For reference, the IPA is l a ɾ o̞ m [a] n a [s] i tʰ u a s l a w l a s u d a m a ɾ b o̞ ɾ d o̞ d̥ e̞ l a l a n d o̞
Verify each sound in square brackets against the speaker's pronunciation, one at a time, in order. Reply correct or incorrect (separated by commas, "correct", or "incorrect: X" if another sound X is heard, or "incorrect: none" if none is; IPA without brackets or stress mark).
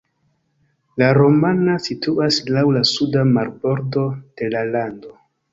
correct, correct